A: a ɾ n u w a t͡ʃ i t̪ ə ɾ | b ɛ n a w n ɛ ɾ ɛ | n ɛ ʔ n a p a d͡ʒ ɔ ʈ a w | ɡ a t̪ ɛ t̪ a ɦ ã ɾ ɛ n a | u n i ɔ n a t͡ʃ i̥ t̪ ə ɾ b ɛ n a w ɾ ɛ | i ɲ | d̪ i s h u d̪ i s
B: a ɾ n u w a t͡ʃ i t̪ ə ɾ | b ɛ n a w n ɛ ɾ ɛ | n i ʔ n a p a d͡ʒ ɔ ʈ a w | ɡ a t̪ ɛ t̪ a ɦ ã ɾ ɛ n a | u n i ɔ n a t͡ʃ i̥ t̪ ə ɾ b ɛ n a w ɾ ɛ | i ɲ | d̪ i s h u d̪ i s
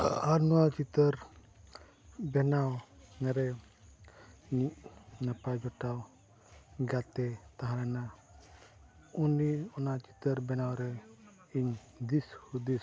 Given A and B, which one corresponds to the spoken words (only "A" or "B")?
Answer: B